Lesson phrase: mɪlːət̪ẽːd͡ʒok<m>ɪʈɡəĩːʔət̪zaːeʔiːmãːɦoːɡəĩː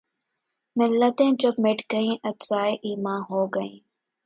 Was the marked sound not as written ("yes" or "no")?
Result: no